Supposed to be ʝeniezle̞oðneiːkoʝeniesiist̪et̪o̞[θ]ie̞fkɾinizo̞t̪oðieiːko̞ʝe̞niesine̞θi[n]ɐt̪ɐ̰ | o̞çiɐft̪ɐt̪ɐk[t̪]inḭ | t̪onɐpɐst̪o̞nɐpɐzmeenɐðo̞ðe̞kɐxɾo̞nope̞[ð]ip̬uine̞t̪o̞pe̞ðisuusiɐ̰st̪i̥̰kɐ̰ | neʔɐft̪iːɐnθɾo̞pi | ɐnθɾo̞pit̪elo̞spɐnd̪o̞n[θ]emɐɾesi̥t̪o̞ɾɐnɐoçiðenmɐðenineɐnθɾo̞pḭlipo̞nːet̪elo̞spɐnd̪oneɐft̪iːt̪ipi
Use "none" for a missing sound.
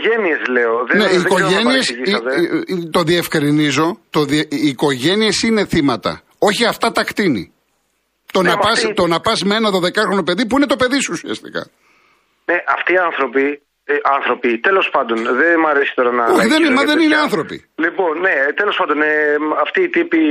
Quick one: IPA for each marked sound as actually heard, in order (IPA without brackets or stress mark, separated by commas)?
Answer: ð, m, t̪, ð, ð